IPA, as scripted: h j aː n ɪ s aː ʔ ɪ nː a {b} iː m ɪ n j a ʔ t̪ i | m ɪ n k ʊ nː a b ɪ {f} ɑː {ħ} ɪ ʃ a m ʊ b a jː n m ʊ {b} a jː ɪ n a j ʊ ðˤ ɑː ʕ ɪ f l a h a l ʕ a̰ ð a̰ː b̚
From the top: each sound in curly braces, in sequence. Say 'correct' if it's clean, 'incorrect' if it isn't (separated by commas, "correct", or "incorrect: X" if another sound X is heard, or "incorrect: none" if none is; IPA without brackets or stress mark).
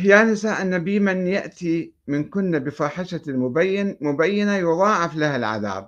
correct, correct, correct, correct